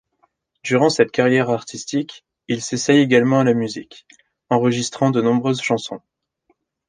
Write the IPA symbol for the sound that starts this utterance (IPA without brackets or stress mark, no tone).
d̪